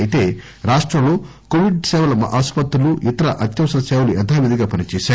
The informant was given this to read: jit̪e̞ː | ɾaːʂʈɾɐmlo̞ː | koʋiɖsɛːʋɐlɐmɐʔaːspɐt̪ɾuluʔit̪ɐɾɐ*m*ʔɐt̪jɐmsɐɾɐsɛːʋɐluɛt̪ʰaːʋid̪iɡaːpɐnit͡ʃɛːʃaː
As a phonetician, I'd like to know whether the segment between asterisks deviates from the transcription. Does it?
yes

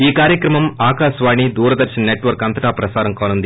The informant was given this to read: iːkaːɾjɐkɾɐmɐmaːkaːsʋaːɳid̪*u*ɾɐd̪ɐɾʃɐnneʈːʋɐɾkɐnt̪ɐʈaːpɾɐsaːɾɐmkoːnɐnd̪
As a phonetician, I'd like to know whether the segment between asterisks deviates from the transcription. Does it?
yes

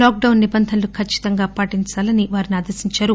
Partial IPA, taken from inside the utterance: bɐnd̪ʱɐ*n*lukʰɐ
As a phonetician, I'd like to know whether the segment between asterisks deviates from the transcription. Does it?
no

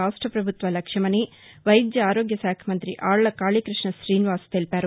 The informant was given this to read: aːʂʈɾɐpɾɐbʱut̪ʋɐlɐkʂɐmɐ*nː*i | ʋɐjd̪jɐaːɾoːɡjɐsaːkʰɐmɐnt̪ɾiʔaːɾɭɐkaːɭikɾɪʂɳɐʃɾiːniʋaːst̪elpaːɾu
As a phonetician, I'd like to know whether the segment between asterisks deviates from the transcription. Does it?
yes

